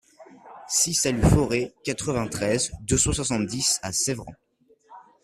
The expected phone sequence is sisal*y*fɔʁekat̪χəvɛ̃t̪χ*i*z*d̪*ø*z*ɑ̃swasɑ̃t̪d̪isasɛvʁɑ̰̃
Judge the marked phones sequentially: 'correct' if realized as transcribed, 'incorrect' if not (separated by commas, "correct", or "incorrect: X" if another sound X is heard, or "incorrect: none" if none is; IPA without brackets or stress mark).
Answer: correct, incorrect: ɛ, correct, incorrect: s